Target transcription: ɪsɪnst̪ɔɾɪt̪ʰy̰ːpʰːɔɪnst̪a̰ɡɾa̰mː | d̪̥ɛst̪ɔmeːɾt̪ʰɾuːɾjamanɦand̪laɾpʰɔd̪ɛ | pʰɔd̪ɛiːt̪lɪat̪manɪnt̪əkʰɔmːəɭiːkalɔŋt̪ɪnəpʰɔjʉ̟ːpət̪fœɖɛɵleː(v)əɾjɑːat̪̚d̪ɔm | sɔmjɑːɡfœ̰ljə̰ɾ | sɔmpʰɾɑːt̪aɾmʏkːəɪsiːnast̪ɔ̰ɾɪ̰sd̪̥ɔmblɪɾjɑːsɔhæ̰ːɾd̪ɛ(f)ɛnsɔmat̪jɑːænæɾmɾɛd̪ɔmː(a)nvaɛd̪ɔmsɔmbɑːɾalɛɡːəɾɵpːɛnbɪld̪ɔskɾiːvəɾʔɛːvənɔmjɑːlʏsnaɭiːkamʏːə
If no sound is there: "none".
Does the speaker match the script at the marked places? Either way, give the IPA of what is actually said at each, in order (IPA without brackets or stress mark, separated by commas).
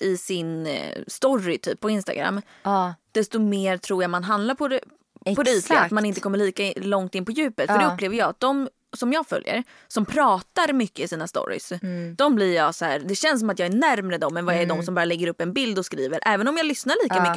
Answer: v, ɕ, ɛ